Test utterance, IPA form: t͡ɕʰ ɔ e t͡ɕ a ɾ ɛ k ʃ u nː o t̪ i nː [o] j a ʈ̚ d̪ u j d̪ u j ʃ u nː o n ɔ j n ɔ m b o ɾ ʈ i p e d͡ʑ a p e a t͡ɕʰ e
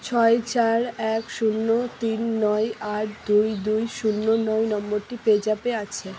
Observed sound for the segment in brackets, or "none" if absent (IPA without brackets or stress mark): ɔ